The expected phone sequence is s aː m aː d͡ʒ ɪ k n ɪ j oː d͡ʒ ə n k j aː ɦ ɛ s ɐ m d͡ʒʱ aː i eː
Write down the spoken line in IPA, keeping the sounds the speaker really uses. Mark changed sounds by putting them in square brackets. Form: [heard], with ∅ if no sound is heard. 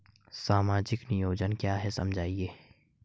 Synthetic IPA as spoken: s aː m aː d͡ʒ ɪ k n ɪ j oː d͡ʒ ə n k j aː ɦ ɛ s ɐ m d͡ʒʱ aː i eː